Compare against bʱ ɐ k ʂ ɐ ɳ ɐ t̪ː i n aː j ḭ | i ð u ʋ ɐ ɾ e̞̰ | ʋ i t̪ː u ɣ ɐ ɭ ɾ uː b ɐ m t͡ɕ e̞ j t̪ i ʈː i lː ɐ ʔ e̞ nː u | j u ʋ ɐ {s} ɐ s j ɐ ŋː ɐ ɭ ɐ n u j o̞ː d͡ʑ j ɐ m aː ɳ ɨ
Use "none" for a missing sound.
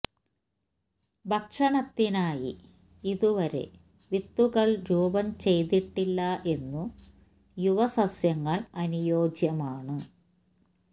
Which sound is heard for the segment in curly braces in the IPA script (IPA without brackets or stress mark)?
s